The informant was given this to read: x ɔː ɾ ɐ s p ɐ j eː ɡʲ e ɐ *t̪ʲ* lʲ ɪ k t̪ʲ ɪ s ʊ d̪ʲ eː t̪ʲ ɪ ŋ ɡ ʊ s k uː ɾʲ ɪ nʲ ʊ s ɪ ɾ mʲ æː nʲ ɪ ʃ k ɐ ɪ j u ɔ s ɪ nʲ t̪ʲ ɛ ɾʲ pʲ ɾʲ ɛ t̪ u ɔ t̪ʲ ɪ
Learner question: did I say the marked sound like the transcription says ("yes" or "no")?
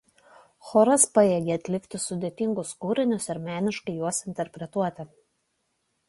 yes